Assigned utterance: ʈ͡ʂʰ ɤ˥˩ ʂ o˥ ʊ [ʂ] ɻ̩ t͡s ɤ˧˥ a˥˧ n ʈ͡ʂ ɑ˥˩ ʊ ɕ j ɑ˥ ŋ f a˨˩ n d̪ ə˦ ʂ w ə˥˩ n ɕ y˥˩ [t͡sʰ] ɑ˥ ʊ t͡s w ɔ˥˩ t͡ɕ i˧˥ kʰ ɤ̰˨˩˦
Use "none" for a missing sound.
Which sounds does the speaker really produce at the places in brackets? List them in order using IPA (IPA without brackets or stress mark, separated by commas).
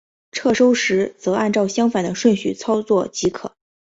ʂ, t͡sʰ